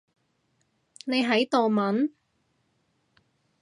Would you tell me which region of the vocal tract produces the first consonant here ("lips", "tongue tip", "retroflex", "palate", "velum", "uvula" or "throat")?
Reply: tongue tip